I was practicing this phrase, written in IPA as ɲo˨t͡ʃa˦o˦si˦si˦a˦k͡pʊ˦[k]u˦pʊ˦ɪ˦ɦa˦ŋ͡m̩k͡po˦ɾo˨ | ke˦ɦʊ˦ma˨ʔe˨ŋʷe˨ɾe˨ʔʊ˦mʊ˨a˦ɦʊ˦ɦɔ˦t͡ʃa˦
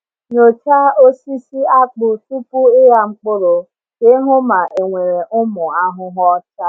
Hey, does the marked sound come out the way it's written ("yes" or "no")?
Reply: no